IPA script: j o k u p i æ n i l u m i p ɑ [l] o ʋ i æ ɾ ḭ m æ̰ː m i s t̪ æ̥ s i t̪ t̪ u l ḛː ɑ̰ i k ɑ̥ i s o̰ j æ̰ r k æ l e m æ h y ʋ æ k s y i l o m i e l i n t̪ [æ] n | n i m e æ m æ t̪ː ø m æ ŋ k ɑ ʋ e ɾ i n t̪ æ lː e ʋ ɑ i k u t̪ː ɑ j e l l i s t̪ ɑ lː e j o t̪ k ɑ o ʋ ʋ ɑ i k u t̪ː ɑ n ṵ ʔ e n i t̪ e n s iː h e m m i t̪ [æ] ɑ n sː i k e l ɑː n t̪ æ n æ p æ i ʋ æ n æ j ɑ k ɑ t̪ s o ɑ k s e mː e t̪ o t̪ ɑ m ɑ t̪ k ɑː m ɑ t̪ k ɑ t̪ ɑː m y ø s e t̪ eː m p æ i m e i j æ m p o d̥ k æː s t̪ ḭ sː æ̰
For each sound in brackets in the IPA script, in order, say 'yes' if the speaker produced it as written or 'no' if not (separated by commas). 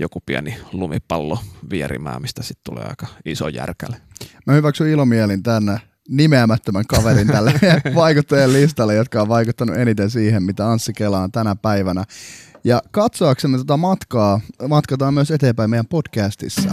no, yes, yes